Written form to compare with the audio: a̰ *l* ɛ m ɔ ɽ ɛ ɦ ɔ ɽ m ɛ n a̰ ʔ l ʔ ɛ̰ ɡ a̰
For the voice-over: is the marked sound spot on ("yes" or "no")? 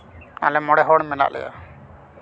yes